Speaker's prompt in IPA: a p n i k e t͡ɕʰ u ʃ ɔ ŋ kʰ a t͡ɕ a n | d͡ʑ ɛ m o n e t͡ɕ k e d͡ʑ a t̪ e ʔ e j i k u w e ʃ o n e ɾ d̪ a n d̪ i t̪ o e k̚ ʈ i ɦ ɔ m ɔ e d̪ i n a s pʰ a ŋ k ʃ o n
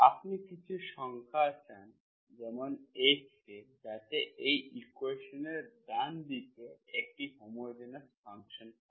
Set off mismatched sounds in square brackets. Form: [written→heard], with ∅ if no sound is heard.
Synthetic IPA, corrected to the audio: a p n i k [e→i] t͡ɕʰ u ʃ ɔ ŋ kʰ a t͡ɕ a n | d͡ʑ ɛ m o n e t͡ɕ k e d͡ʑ a t̪ e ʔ e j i k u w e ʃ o n e ɾ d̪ a n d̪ i t̪ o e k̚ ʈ i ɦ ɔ m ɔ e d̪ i n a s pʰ a ŋ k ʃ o n